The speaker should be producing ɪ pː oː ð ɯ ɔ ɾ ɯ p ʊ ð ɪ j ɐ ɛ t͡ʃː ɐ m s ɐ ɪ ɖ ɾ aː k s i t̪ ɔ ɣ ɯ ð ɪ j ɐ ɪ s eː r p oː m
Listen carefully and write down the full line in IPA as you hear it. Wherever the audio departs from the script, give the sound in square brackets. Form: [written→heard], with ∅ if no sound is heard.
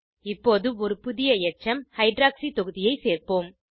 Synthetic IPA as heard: ɪ pː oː ð ɯ ɔ ɾ ɯ p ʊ ð ɪ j ɐ ɛ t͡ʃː ɐ m [s→h] ɐ ɪ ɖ ɾ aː k s i t̪ ɔ ɣ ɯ ð ɪ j ɐ ɪ s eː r p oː m